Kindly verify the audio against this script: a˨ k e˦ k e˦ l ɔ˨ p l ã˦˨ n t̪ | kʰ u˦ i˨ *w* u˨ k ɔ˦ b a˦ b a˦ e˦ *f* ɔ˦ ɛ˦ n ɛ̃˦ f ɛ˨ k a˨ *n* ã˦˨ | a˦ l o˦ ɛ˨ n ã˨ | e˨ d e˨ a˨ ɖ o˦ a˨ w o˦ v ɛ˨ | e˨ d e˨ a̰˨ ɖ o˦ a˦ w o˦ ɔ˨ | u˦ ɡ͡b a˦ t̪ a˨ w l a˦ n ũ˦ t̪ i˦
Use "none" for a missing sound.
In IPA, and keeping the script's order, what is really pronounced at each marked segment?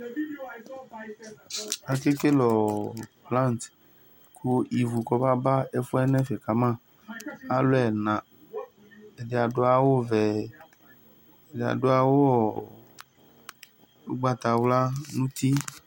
v, f, m

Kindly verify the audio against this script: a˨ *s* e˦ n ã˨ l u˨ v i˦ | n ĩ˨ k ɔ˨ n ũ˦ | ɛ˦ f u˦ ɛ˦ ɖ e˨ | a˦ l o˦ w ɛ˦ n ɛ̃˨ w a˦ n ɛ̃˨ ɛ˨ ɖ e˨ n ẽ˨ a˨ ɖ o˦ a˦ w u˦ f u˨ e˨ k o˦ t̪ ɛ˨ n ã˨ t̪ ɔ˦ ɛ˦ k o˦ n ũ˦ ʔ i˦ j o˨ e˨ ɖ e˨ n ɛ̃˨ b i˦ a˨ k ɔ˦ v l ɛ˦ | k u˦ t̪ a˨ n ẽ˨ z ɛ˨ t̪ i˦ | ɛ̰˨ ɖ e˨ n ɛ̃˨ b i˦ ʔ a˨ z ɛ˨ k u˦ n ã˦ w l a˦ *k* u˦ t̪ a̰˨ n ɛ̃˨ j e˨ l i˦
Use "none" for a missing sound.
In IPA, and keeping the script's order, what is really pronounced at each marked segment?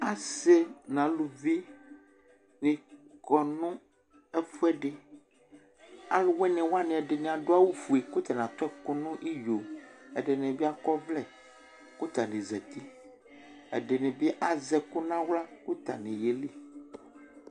s, k

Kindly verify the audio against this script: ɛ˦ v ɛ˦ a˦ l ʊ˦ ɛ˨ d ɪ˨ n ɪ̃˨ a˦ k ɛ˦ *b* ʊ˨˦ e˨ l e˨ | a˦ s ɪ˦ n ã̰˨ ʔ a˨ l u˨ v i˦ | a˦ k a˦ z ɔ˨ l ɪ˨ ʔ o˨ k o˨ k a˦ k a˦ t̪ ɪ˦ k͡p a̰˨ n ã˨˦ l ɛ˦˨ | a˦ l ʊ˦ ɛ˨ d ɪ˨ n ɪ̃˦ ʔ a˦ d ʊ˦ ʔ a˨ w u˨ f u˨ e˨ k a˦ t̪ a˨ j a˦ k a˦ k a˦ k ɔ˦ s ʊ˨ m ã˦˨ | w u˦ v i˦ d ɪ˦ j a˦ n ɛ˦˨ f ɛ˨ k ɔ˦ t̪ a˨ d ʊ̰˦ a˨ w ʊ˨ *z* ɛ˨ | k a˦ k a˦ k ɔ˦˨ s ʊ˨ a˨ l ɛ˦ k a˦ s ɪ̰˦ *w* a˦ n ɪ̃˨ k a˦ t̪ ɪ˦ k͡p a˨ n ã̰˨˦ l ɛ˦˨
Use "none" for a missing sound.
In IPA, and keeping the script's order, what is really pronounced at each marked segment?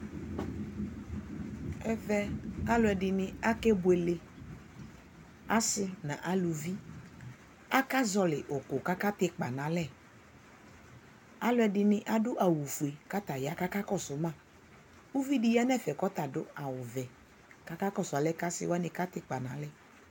b, v, w

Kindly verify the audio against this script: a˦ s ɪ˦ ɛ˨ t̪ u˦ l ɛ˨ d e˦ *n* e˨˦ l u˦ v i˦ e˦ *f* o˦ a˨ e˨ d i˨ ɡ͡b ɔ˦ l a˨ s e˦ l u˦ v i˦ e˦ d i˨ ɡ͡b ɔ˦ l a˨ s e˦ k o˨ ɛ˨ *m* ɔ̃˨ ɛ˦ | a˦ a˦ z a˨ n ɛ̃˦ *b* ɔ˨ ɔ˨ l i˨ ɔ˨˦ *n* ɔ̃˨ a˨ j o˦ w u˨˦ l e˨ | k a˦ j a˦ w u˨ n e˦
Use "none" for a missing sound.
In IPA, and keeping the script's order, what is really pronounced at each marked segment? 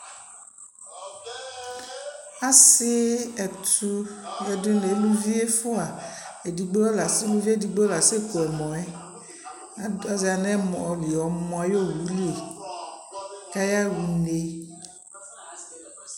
n, f, m, m, m

